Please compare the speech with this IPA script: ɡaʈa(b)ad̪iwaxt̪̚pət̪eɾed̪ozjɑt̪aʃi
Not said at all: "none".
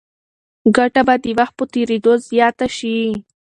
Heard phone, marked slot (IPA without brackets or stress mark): b